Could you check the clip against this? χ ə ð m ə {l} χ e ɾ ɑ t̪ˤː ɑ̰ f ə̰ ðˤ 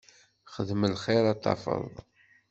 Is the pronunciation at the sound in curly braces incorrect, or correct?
correct